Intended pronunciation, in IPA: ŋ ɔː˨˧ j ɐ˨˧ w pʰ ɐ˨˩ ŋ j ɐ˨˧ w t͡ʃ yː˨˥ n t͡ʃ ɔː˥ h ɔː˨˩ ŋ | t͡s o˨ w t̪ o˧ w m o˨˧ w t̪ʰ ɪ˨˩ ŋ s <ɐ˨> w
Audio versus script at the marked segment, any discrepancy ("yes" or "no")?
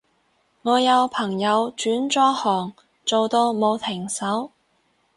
yes